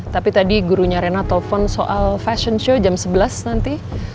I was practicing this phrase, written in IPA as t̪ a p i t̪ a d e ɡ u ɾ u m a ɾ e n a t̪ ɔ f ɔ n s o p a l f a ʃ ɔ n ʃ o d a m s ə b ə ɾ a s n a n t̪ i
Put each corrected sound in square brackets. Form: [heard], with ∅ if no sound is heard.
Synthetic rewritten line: t̪ a p i t̪ a d [i] ɡ u ɾ u [ɲ] a ɾ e n a t̪ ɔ f ɔ n s o [ʔ] a l f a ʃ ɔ n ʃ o [d͡ʒ] a m s ə b ə [l] a s n a n t̪ i